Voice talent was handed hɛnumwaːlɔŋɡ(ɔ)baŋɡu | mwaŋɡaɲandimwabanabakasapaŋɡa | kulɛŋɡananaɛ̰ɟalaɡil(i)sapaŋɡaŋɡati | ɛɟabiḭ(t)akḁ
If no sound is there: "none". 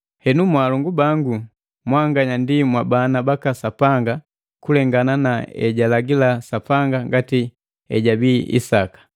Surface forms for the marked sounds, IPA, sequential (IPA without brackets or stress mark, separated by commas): u, a, s